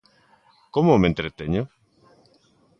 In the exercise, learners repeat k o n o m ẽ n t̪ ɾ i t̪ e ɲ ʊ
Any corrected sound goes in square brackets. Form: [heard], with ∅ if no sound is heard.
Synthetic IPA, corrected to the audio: k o [m] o m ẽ n t̪ ɾ [e] t̪ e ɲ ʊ